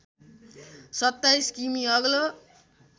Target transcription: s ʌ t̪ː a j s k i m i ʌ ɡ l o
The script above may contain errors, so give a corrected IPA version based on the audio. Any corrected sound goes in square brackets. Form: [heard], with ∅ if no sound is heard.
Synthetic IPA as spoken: s ʌ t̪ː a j s k i m i ʌ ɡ l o

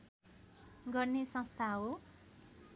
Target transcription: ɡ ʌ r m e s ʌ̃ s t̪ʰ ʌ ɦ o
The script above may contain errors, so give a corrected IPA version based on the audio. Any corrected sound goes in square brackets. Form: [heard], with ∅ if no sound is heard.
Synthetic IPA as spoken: ɡ ʌ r [n] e s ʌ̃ s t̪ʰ [a] ɦ o

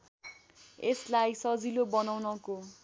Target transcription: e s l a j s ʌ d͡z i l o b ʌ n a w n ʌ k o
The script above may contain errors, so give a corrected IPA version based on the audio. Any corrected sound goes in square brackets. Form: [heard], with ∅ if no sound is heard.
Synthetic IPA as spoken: e s l a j s ʌ d͡z i l o b ʌ n a w n ʌ k o

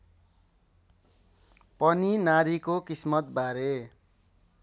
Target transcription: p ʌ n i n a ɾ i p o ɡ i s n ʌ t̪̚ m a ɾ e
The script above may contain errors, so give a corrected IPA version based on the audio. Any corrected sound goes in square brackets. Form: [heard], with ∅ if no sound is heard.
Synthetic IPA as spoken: p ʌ n i n a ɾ i [k] o [k] i s [m] ʌ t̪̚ [b] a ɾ e

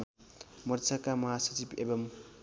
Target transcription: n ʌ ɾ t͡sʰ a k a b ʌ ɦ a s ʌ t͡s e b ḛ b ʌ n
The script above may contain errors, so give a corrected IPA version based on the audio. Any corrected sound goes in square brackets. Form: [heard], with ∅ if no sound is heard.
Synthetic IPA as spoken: [m] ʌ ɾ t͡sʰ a k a [m] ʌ ɦ a s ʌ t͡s [i] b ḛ b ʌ [m]

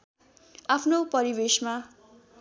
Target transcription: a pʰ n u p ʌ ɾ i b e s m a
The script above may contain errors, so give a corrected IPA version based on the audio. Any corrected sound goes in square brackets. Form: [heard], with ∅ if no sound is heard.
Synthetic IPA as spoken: a pʰ n [o] p ʌ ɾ i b e s m a

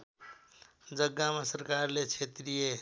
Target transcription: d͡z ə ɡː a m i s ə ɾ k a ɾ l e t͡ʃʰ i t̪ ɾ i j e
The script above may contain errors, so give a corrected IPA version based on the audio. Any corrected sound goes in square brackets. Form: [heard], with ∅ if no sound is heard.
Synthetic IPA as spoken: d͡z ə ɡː a m [a] s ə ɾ k a ɾ l e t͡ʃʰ [e] t̪ ɾ i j e

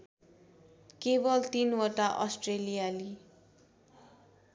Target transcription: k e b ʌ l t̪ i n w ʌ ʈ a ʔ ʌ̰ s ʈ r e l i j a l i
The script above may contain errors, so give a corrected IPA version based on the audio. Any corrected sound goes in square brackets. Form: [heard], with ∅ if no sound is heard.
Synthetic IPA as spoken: k e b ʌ l t̪ i n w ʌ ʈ a ʔ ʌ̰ s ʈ r e l i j a l i

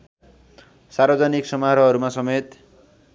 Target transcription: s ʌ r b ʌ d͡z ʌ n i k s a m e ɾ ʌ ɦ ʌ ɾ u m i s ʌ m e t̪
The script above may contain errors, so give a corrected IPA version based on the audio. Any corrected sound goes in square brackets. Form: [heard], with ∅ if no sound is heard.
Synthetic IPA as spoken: s [a] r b ʌ d͡z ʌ n i k s [ʌ] m [a] ɾ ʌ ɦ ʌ ɾ u m [a] s ʌ m e t̪

